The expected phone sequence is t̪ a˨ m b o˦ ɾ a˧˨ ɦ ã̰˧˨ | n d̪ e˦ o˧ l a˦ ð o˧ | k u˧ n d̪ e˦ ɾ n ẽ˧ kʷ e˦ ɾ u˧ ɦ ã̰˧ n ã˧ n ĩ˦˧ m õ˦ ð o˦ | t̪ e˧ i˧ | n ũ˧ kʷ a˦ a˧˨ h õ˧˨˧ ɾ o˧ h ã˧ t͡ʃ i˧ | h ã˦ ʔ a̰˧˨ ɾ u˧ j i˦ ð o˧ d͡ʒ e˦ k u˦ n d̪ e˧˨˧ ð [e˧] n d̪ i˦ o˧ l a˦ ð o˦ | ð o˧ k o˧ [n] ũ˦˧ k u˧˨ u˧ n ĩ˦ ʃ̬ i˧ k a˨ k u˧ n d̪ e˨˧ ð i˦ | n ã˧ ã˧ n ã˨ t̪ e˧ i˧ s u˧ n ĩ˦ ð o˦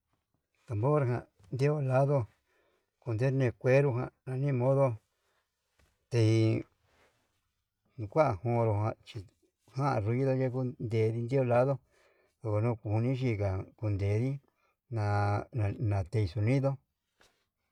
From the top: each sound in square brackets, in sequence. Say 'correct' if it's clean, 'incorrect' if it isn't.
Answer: incorrect, correct

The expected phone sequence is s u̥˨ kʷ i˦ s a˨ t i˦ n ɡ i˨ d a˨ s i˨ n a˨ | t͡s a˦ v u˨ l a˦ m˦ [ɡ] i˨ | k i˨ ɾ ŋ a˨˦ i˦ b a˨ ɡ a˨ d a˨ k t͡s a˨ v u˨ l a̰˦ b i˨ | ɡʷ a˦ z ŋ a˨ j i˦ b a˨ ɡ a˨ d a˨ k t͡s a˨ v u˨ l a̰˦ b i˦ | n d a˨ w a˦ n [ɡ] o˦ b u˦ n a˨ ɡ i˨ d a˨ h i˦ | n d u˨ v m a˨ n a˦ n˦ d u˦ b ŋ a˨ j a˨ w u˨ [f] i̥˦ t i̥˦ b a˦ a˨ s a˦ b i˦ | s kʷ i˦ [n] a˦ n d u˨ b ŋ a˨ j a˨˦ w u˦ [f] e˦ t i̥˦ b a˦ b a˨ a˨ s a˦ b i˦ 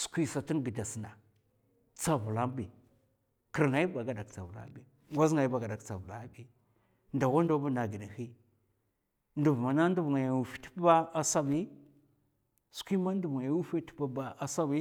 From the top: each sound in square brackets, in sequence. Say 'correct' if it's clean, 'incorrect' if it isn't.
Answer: incorrect, incorrect, correct, incorrect, correct

